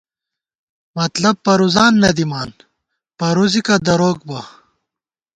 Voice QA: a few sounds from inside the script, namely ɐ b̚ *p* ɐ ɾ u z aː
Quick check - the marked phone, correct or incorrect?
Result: correct